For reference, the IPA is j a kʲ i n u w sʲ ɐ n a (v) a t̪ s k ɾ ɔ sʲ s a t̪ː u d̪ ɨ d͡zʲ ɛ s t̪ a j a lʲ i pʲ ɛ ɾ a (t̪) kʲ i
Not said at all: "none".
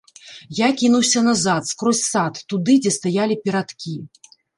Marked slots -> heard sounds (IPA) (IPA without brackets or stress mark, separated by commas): z, t̪